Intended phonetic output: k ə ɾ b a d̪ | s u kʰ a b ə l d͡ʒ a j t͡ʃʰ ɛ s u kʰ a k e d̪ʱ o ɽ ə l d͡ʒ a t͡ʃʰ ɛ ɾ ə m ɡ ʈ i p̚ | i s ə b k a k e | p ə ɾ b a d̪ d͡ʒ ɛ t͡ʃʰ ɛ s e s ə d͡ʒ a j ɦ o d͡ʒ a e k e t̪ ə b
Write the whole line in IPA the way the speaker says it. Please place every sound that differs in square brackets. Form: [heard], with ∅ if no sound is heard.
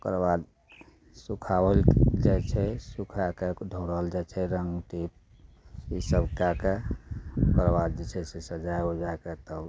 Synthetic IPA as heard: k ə ɾ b a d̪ | s u kʰ a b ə l d͡ʒ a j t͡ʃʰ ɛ s u kʰ a k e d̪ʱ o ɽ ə l d͡ʒ a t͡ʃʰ ɛ ɾ ə [ŋ] ɡ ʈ i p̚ | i s ə b k a k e | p ə ɾ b a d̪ d͡ʒ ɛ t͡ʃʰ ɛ s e s ə d͡ʒ a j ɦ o d͡ʒ a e k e t̪ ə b

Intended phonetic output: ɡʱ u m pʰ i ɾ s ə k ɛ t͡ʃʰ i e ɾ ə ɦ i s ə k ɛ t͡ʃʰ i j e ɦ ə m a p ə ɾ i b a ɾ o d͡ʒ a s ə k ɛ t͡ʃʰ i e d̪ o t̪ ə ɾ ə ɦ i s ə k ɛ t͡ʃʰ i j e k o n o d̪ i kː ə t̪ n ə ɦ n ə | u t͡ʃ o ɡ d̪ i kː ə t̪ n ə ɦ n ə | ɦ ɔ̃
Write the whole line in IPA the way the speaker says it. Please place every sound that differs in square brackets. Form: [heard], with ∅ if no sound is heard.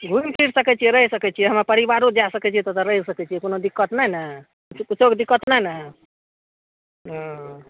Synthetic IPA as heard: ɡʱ u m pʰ i ɾ s ə k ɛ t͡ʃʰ i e ɾ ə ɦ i s ə k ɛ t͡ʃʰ i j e ɦ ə m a p ə ɾ i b a ɾ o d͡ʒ a s ə k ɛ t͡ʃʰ i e [t̪] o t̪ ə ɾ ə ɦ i s ə k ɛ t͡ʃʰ i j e k o n o d̪ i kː ə t̪ n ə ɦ n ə | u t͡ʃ o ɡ d̪ i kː ə t̪ n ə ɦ n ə | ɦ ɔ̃

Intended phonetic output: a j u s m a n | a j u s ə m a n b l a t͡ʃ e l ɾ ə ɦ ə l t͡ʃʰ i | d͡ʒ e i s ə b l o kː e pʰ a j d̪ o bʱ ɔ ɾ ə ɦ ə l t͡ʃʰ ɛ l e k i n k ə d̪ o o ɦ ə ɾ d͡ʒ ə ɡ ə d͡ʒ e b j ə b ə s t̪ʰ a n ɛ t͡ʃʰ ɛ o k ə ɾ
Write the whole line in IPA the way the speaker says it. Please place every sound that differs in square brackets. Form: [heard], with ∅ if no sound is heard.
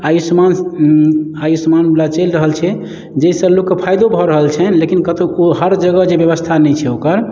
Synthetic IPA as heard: a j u s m a n | a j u s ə m a n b l a t͡ʃ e l ɾ ə ɦ ə l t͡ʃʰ [ɛ] | d͡ʒ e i s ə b l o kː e pʰ a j d̪ o bʱ ɔ ɾ ə ɦ ə l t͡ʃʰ ɛ l e k i n k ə [t̪] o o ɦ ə ɾ d͡ʒ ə ɡ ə d͡ʒ e b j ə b ə s t̪ʰ a n ɛ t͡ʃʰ ɛ o k ə ɾ

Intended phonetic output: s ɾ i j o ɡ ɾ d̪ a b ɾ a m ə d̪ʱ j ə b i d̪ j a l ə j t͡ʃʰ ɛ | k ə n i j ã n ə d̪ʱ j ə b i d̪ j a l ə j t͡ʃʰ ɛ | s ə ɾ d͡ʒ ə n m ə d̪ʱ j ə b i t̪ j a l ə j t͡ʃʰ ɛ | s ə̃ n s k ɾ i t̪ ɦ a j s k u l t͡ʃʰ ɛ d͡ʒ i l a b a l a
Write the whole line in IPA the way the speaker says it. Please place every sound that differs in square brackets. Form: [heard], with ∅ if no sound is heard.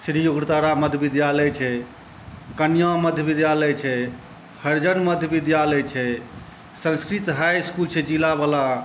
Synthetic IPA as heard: s ɾ i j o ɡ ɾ [t̪] a [∅] ɾ a m ə d̪ʱ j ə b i d̪ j a l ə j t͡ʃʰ ɛ | k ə n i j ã [m] ə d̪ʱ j ə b i d̪ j a l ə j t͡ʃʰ ɛ | [h] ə ɾ d͡ʒ ə n m ə d̪ʱ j ə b i [d̪] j a l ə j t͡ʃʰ ɛ | s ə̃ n s k ɾ i t̪ ɦ a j s k u l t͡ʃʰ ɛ d͡ʒ i l a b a l a

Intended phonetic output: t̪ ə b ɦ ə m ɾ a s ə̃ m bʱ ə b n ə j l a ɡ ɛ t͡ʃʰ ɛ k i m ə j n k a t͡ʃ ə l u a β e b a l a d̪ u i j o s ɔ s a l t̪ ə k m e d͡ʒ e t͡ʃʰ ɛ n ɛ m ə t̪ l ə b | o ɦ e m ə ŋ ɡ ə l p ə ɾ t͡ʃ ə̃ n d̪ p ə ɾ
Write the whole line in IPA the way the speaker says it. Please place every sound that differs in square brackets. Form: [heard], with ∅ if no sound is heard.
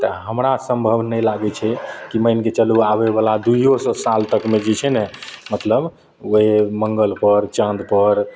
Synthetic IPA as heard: t̪ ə [∅] ɦ ə m ɾ a s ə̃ m bʱ ə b n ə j l a ɡ ɛ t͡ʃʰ ɛ k i m ə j n k [e] t͡ʃ ə l u a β e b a l a d̪ u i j o s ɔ s a l t̪ ə k m e d͡ʒ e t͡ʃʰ ɛ n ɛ m ə t̪ l ə b | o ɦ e m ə ŋ ɡ ə l p ə ɾ t͡ʃ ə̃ n d̪ p ə ɾ

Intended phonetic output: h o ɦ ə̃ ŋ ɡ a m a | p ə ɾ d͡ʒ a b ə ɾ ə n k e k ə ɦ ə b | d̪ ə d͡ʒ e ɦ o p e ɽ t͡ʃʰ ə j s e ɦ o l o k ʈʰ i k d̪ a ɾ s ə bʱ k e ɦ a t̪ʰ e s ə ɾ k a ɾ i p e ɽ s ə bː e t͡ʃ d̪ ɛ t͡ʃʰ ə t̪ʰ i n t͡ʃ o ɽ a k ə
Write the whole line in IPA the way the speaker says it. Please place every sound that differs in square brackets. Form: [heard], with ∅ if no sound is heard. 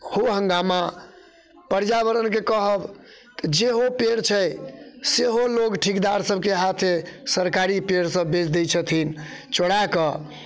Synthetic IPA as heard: h o ɦ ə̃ ŋ ɡ a m a | p ə ɾ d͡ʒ a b ə ɾ ə n k e k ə ɦ ə b | [t̪] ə d͡ʒ e ɦ o p e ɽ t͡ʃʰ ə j s e ɦ o l o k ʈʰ i k d̪ a ɾ s ə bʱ k e ɦ a t̪ʰ e s ə ɾ k a ɾ i p e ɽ s ə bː e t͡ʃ d̪ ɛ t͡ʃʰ ə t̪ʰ i n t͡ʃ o ɽ a k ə

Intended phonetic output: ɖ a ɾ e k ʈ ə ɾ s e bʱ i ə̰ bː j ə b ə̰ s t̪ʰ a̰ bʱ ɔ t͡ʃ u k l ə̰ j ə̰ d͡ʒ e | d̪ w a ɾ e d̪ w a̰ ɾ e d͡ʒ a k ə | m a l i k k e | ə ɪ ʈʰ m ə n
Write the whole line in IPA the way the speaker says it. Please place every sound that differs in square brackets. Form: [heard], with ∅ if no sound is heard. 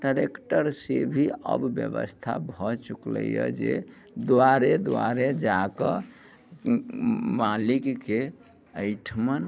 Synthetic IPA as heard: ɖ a ɾ e k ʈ ə ɾ s e bʱ i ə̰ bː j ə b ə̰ s t̪ʰ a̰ bʱ ɔ t͡ʃ u k l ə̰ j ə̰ d͡ʒ e | d̪ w a ɾ e d̪ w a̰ ɾ e d͡ʒ a k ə | m a l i k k e | ə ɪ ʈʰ m ə n

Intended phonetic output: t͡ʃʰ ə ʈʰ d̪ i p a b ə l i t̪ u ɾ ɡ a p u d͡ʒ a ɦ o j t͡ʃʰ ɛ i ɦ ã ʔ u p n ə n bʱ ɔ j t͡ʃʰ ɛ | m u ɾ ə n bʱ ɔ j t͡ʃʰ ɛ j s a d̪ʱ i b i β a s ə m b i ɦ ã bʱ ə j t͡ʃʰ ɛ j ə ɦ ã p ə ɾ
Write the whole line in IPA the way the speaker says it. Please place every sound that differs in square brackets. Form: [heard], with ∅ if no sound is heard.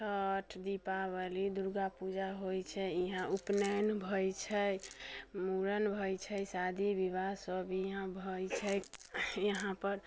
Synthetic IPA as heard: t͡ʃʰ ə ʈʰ d̪ i p a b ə l i [d̪] u ɾ ɡ a p u d͡ʒ a ɦ o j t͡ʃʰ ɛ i ɦ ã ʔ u p n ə n bʱ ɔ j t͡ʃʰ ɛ | m u ɾ ə n bʱ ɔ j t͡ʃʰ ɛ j s a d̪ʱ i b i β a s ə [∅] b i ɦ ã bʱ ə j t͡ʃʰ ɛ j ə ɦ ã p ə ɾ

